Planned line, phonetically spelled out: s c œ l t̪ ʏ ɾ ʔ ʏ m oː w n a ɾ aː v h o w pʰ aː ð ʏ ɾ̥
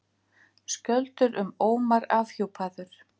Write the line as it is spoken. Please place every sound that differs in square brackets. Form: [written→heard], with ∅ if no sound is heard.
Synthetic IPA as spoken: s c œ l t̪ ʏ ɾ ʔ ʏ m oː w [n→m] a ɾ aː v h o w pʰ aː ð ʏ ɾ̥